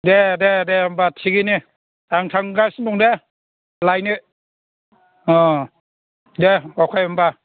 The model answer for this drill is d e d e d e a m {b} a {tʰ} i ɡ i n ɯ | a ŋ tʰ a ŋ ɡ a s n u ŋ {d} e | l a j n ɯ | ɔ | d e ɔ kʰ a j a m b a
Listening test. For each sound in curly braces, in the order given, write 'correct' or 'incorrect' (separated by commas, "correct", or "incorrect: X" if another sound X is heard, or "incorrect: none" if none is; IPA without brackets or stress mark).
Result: correct, correct, correct